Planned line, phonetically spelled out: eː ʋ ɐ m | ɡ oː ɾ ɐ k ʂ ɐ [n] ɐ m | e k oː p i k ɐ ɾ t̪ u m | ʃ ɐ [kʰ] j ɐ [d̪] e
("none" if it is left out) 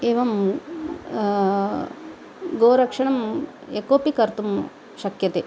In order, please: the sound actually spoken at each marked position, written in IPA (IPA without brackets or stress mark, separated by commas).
ɳ, k, t̪